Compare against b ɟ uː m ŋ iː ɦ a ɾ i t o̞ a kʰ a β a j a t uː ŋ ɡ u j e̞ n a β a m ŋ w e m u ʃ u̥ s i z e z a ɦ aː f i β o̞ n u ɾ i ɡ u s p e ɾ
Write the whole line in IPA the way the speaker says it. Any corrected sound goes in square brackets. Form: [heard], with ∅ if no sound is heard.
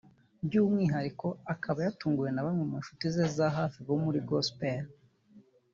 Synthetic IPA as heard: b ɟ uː m ŋ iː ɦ a ɾ i [k] o̞ a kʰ a β a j a t uː ŋ ɡ u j e̞ n a β a m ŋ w e m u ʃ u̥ [t] i z e z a ɦ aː f i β o̞ [m] u ɾ i ɡ [o] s p e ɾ